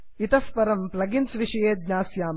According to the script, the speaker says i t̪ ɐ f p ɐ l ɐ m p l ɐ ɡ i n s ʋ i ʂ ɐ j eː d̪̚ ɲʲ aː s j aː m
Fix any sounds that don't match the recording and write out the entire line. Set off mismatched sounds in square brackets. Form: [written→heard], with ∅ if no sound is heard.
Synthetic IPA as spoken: i t̪ ɐ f p ɐ [l→ɾ] ɐ m p l ɐ ɡ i n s ʋ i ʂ ɐ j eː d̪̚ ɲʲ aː s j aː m